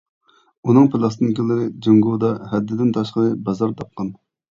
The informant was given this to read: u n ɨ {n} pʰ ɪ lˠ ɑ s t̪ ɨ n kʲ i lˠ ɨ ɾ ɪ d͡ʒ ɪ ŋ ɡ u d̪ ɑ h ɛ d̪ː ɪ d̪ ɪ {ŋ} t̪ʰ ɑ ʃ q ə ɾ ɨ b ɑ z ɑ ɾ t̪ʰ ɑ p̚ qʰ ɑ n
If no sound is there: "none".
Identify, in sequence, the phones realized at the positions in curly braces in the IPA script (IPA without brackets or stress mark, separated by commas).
ŋ, n